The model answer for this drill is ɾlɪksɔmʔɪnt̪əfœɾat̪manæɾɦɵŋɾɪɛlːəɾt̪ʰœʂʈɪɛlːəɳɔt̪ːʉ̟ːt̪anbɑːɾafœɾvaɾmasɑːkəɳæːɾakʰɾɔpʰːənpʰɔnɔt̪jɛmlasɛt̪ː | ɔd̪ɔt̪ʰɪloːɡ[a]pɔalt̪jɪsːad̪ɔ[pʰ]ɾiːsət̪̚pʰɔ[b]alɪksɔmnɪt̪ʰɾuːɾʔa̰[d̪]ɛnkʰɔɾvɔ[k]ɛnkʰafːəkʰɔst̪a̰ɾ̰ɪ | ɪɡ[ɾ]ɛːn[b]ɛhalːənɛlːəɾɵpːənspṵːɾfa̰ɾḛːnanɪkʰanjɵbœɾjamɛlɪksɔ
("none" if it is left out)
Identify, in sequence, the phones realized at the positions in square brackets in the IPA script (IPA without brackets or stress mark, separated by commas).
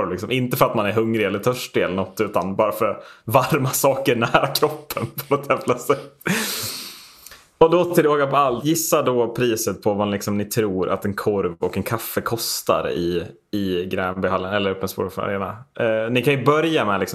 a, pʰ, v, t̪, k, ɾ, b